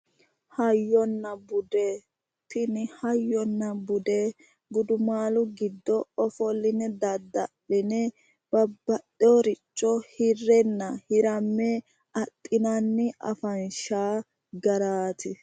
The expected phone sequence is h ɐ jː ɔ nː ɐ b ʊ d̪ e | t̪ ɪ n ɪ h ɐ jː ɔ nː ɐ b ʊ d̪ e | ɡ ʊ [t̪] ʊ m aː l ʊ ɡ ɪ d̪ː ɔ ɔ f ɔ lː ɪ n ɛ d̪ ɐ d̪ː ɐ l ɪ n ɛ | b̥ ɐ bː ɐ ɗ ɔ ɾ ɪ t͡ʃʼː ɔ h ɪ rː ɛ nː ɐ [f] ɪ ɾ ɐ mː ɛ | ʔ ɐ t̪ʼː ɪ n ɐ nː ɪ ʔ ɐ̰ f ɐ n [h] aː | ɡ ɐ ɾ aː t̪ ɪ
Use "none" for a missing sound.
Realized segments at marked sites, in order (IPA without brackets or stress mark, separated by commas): d̪, h, ʃ